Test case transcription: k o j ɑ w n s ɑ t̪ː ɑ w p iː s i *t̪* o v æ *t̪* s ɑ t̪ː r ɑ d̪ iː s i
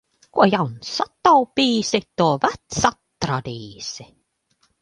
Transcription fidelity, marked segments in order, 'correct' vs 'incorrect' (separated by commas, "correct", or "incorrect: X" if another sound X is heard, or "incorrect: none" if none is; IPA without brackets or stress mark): correct, correct